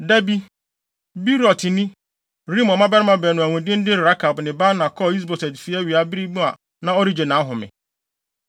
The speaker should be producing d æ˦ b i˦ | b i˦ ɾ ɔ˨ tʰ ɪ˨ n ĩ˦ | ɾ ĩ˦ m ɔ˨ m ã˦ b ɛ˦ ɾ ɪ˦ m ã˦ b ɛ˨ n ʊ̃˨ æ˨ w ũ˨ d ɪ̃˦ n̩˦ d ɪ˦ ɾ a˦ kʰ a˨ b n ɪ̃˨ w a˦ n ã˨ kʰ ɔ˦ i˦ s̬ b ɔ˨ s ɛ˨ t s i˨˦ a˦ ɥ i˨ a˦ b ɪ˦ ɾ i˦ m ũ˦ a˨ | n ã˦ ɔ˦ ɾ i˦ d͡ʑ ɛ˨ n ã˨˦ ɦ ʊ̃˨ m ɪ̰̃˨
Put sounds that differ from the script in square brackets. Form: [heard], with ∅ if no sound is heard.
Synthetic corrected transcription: d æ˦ b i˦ | b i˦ ɾ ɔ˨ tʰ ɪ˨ n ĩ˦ | ɾ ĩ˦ m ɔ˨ m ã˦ b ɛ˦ ɾ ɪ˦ m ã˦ b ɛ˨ n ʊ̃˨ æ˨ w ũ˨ d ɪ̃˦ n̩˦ d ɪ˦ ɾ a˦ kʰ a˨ b n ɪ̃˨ [b] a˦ n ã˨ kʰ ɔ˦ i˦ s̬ b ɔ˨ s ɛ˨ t [f] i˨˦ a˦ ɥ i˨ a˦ b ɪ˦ ɾ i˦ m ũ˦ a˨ | n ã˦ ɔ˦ ɾ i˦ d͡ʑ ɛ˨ n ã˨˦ ɦ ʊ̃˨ m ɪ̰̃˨

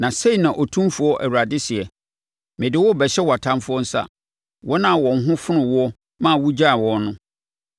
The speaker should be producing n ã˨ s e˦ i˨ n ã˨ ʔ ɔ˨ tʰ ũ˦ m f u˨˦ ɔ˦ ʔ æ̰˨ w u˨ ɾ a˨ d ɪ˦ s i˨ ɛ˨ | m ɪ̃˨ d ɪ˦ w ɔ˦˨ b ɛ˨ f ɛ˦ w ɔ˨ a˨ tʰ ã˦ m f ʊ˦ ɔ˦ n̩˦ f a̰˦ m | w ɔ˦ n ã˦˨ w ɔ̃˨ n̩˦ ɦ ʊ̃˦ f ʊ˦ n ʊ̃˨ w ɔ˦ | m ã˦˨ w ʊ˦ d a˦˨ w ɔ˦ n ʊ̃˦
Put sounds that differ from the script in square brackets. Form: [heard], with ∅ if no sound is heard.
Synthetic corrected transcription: n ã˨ s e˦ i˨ n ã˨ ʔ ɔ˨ tʰ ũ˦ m f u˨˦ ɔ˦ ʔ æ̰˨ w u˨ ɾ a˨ d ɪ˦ s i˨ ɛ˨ | m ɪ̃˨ d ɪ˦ w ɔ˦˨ b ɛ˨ [ɕ] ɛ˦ w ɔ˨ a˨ tʰ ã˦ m f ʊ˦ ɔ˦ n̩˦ [s] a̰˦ [∅] | w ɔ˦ n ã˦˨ w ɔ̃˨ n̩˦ ɦ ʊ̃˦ f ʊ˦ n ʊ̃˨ w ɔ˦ | m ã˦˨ w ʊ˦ [d͡ʑ] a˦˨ w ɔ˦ n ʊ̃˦

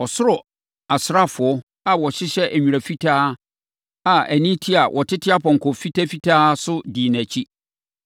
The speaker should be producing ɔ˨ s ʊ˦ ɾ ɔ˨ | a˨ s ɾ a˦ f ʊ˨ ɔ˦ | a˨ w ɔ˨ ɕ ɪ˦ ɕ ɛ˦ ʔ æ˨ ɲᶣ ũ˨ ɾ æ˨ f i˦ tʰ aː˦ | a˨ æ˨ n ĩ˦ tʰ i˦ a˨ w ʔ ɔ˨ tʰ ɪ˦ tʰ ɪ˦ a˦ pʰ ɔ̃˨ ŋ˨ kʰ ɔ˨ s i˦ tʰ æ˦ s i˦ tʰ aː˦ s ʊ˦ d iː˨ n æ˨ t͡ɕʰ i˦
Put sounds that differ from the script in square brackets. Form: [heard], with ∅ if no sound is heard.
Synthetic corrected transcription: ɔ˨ s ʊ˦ ɾ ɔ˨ | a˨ s ɾ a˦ f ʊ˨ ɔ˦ | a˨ w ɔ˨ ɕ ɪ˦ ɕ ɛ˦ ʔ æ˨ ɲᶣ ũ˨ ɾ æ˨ f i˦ tʰ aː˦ | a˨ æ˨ n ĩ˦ tʰ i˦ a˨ w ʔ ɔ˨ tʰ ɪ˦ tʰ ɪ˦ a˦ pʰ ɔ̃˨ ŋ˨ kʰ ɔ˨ [f] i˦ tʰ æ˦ [f] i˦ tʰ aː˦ s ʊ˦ d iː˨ n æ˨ t͡ɕʰ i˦

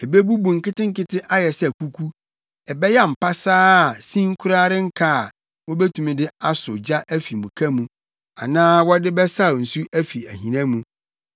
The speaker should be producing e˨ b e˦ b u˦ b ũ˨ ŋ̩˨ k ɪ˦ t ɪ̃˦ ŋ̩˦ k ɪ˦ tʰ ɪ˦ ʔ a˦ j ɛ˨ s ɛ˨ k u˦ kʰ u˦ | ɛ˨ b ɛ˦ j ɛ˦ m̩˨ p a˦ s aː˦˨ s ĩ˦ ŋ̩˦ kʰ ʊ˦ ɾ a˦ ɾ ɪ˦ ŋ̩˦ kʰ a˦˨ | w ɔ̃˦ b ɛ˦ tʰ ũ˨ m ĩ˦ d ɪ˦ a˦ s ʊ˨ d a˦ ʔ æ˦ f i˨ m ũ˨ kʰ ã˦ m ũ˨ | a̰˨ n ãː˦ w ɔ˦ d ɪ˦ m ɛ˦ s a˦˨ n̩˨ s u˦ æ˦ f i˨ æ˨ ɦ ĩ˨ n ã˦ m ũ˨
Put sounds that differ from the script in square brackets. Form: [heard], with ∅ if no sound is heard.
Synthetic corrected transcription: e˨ b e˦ b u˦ b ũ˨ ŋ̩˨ k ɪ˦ t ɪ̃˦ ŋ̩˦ k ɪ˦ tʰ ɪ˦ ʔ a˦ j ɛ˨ s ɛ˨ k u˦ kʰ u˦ | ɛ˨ b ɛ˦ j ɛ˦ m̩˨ p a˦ s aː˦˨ s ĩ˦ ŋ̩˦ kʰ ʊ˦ ɾ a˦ ɾ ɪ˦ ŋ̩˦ kʰ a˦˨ | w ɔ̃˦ b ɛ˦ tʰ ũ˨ m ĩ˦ d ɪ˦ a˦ s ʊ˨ [d͡ʑ] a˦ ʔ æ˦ f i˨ m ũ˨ kʰ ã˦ m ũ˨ | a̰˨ n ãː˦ w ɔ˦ d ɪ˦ [b] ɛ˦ s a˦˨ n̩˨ s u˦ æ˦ f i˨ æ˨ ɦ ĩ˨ n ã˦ m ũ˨

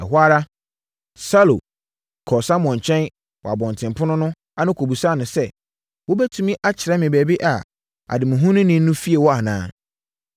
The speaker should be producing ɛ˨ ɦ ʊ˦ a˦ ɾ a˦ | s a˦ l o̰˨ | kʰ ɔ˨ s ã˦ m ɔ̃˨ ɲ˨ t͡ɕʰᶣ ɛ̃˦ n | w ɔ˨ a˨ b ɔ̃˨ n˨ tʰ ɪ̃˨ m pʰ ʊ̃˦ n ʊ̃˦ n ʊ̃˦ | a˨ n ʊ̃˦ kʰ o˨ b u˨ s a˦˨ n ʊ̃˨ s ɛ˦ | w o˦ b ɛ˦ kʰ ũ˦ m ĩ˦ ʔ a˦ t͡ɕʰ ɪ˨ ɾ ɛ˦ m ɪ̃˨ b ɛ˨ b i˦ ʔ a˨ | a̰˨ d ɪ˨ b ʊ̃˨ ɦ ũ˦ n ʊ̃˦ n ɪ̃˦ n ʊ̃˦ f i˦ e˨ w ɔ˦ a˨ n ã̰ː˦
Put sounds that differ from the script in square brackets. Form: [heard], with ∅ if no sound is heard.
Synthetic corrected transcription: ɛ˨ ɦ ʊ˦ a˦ ɾ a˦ | s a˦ l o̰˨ | kʰ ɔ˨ s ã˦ m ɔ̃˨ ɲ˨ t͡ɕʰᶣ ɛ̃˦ n | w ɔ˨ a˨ b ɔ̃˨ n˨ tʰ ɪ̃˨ m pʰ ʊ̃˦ n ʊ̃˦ n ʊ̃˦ | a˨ n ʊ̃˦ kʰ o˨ b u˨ s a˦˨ n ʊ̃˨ s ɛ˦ | w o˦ b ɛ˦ [tʰ] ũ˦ m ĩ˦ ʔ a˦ t͡ɕʰ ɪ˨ ɾ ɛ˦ m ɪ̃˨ b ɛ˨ b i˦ ʔ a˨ | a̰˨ d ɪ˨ [m] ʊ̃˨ ɦ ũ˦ n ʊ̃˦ n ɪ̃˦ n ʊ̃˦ f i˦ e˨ w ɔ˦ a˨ n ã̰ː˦

